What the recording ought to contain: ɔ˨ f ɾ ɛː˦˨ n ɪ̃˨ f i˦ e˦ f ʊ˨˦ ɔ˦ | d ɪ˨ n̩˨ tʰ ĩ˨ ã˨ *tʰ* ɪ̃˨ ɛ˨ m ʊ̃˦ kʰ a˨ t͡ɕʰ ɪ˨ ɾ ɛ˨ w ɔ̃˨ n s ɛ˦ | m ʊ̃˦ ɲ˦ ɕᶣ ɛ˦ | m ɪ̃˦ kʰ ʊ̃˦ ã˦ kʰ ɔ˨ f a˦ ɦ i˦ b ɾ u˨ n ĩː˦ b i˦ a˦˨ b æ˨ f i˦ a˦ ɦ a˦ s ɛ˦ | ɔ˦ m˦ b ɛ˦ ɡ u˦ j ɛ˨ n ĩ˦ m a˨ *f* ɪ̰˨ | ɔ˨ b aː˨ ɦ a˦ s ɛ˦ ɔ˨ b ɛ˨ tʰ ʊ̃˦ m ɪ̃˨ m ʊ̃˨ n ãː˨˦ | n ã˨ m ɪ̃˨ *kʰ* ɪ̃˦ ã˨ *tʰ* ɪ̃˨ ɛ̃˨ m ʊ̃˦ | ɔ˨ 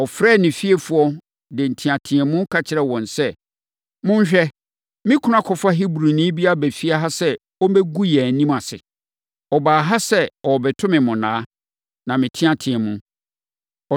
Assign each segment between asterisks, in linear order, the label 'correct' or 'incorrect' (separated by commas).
correct, incorrect, incorrect, correct